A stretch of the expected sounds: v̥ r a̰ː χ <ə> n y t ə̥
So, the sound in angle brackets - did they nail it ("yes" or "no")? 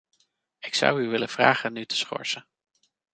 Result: yes